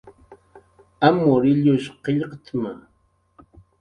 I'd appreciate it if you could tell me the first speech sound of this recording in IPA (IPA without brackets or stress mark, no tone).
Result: a